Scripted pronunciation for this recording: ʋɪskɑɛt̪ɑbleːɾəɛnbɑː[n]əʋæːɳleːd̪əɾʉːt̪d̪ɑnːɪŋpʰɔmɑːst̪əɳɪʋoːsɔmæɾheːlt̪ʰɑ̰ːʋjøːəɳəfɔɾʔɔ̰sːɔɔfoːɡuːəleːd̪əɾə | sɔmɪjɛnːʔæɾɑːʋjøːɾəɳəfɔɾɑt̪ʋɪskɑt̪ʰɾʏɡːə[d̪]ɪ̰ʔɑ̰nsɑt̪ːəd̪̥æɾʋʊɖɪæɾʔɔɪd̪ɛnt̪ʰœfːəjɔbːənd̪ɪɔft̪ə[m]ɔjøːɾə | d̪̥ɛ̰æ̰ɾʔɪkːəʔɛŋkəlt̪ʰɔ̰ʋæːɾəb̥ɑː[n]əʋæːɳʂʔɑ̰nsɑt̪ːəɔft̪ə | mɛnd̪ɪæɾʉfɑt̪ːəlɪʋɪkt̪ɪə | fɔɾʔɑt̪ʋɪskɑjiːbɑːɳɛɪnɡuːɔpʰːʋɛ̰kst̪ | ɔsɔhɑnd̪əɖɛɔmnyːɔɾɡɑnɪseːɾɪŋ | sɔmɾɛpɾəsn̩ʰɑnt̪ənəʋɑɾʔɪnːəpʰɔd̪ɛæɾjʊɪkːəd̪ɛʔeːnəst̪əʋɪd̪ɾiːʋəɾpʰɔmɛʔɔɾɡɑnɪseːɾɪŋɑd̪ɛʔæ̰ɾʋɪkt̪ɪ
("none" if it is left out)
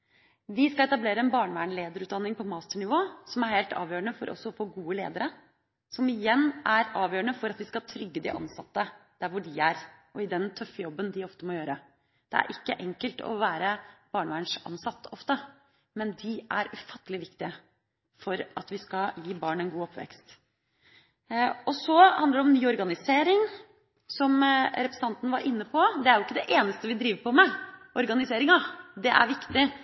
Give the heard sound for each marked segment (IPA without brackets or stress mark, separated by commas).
ɳ, d̪, m, ɳ